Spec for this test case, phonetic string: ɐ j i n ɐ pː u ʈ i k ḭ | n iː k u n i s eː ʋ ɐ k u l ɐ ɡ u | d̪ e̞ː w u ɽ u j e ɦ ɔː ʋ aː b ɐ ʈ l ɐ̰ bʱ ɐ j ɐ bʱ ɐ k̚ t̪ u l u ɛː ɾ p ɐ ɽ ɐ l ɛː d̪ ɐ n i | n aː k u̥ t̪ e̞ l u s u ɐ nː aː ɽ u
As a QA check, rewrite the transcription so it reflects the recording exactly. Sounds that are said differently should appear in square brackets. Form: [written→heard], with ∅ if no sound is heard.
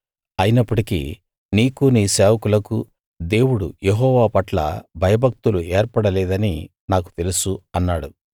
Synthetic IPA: ɐ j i n ɐ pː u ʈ i k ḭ | n iː k u n [i→iː] s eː ʋ ɐ k u l ɐ [ɡ→k] u | d̪ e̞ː w u ɽ u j e ɦ ɔː ʋ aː [b→p] ɐ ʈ l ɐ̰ bʱ ɐ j ɐ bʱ ɐ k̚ t̪ u l u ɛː ɾ p ɐ ɽ ɐ l ɛː d̪ ɐ n i | n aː k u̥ t̪ e̞ l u s u ɐ nː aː ɽ u